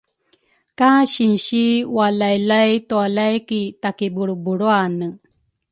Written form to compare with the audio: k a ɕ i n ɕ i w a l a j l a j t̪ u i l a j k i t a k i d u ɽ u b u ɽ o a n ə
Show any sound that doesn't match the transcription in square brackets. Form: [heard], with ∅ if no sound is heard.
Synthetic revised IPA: k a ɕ i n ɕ i w a l a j l a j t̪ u [a] l a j k i t a k i [b] u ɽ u b u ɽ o a n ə